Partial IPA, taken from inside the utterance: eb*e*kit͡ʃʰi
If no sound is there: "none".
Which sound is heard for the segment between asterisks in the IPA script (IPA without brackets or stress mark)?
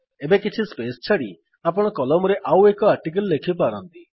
e